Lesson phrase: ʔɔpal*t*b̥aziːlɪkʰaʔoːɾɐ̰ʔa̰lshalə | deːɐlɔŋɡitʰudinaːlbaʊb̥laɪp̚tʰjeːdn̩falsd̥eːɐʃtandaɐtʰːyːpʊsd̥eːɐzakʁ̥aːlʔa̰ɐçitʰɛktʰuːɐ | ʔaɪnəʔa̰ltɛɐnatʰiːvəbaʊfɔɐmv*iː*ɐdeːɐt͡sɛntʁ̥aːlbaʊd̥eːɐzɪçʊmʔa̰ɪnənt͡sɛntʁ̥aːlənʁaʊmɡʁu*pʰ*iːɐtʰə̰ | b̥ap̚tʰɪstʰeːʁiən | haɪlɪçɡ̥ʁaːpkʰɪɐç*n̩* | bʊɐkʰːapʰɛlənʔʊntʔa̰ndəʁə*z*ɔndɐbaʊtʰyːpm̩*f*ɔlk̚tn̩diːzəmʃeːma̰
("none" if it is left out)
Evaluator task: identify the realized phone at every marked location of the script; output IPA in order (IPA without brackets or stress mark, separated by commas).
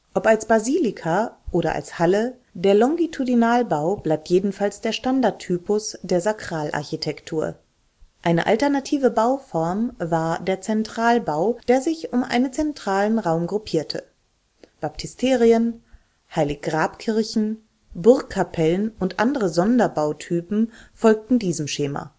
s, aː, pʰ, n̩, z, f